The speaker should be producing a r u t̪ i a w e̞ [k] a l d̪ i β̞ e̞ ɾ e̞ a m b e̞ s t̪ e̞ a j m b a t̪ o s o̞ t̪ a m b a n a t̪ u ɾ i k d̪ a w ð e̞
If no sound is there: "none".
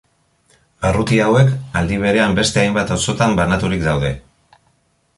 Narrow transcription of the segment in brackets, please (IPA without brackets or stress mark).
k